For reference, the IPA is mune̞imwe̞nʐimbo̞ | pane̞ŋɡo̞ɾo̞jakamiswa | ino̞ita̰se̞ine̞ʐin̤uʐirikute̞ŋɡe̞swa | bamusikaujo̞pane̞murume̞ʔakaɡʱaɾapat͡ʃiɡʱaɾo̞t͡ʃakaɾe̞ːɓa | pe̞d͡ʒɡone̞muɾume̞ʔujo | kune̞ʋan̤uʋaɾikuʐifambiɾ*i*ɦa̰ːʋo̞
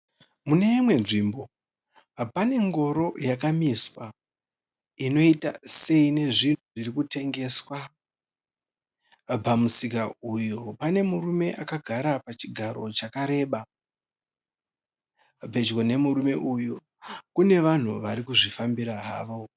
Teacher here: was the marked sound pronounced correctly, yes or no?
no